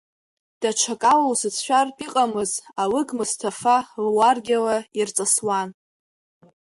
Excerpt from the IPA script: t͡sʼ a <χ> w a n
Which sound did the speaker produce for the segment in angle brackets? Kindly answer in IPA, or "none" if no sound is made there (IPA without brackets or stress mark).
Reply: s